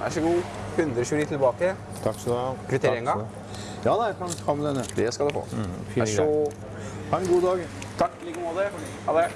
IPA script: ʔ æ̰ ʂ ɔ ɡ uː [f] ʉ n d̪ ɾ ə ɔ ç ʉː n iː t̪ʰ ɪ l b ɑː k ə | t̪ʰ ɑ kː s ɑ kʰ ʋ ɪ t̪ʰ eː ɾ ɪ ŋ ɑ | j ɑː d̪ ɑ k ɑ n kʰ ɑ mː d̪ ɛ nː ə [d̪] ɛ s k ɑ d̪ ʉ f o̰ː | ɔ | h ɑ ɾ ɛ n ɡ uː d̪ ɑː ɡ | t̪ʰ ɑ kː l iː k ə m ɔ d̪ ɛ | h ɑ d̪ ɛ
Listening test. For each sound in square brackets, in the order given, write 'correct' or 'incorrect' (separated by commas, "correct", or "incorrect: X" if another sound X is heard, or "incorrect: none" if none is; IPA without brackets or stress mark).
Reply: incorrect: h, correct